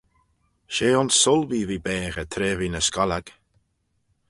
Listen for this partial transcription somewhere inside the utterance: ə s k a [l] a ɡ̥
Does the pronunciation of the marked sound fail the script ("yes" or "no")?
no